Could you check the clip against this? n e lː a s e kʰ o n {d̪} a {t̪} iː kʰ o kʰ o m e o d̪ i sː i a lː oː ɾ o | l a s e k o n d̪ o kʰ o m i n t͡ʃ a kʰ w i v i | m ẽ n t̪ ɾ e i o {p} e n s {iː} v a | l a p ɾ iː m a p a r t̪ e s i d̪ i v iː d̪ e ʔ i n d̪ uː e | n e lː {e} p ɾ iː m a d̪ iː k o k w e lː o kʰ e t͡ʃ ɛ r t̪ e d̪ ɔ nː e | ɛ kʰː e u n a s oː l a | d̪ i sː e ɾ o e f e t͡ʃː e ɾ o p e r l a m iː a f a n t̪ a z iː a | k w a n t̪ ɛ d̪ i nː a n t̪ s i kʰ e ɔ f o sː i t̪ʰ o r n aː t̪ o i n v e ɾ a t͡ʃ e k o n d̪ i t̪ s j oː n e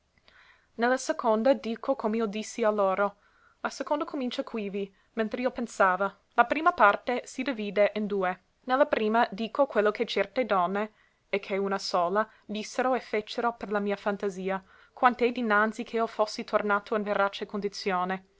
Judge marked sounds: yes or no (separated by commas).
yes, no, yes, no, no